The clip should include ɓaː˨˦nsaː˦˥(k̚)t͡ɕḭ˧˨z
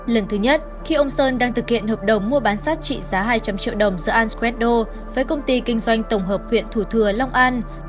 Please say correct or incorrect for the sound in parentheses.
incorrect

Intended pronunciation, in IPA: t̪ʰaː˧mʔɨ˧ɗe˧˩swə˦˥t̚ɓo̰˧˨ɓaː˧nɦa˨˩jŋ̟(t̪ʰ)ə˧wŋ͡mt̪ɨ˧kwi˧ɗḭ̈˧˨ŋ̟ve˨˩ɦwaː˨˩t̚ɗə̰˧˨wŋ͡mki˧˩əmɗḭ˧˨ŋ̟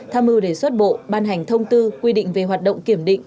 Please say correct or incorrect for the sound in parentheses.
correct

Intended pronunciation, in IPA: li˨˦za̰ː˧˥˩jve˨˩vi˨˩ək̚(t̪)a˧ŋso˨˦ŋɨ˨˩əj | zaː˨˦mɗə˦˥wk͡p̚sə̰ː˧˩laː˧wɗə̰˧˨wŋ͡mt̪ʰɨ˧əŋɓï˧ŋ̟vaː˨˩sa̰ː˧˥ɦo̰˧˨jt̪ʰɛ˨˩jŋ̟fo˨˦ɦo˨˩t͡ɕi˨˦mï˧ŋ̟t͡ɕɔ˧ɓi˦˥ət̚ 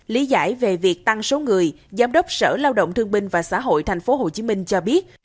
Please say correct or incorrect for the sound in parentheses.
correct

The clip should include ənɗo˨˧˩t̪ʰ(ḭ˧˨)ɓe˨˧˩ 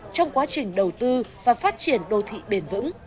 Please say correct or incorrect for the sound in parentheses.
correct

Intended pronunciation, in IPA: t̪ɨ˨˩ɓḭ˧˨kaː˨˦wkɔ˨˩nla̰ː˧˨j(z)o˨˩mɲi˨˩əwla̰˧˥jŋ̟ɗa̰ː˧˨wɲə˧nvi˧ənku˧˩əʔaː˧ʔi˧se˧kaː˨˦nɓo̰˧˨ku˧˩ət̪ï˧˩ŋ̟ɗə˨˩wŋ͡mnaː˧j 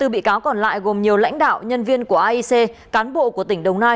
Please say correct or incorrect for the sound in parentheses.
incorrect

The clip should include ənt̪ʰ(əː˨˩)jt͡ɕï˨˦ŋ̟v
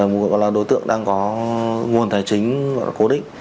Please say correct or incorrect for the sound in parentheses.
incorrect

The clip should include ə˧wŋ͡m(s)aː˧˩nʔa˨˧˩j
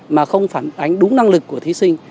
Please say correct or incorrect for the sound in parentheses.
incorrect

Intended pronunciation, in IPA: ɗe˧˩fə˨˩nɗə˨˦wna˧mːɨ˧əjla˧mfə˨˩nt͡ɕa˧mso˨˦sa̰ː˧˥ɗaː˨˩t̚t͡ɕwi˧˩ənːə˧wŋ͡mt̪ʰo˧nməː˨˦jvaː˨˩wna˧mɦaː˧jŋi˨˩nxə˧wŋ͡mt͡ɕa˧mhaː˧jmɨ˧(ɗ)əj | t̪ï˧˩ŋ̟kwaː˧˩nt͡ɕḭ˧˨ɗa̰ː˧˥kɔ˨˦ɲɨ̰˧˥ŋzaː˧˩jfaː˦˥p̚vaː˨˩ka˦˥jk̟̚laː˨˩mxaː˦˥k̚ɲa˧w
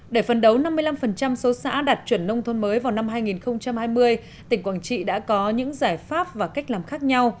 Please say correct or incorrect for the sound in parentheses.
incorrect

